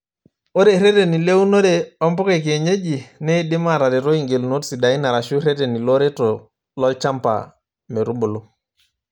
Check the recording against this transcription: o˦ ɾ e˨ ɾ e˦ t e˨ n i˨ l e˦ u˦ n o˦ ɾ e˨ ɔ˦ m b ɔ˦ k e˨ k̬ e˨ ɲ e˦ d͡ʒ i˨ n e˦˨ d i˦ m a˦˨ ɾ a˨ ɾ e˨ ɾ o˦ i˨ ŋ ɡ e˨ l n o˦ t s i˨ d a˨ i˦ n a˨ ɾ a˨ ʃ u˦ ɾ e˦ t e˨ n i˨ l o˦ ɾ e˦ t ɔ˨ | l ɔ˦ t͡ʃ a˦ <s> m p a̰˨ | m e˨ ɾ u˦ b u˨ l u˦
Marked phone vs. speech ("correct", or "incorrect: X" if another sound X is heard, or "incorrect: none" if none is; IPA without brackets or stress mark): incorrect: none